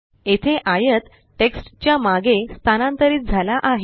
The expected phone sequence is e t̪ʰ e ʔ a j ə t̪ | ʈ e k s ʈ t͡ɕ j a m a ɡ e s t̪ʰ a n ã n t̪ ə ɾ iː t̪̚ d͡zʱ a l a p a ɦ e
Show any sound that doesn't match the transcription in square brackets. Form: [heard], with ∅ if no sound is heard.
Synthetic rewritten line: e t̪ʰ e ʔ a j ə t̪ | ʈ e k s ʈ t͡ɕ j a m a ɡ e s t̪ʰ a n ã n t̪ ə ɾ iː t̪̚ d͡zʱ a l a [ʔ] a ɦ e